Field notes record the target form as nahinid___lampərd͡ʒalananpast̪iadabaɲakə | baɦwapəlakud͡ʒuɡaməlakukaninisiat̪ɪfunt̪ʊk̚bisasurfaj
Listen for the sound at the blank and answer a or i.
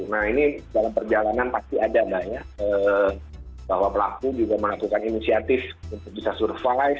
a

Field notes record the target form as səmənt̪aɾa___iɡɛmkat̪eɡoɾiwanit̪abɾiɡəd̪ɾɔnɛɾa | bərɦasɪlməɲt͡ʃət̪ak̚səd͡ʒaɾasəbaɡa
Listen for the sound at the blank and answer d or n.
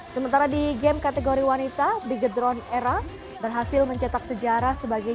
d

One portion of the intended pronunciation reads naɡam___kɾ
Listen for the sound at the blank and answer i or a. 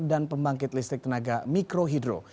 i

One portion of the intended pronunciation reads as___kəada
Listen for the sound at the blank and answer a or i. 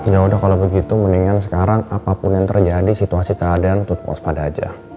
i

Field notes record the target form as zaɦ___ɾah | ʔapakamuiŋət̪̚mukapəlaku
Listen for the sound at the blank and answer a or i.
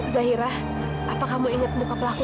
i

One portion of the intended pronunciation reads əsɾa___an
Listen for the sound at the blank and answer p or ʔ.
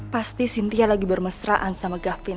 ʔ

